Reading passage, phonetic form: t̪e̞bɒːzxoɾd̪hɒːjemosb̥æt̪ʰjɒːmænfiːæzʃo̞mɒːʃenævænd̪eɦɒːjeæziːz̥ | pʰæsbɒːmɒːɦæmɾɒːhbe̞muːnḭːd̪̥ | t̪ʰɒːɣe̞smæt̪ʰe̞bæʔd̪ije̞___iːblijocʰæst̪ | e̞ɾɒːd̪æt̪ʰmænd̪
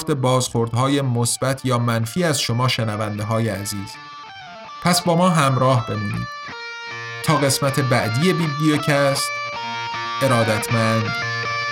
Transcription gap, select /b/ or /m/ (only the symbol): b